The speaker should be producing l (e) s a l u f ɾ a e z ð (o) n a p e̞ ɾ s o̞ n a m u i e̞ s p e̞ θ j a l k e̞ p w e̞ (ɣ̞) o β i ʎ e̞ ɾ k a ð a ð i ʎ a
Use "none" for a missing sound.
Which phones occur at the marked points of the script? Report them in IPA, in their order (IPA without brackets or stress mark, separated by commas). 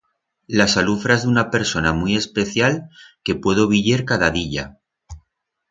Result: a, u, ð̞